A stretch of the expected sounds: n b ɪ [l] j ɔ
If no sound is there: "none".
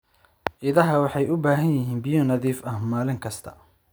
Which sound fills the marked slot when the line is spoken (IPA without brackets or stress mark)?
none